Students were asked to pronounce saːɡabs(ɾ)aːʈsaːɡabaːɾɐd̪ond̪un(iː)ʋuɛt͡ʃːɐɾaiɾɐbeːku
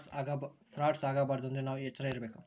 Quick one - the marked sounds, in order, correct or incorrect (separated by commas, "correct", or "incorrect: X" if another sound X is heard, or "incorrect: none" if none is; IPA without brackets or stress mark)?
correct, incorrect: aː